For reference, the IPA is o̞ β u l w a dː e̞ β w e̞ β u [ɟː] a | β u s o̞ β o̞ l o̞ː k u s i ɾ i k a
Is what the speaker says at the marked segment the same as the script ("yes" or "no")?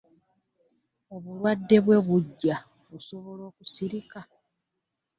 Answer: yes